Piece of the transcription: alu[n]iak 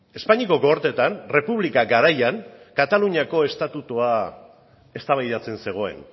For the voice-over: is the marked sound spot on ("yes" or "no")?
no